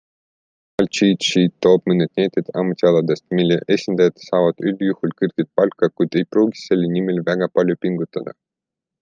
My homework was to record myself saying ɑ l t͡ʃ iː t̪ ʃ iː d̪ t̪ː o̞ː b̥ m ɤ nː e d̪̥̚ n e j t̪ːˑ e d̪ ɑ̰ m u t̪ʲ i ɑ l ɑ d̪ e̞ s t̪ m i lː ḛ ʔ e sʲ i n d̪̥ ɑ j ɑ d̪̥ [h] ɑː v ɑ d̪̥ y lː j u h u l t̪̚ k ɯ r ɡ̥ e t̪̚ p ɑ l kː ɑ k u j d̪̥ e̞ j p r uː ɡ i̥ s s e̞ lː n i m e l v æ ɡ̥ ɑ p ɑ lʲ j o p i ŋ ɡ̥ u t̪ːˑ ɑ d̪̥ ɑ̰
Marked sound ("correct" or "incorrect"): incorrect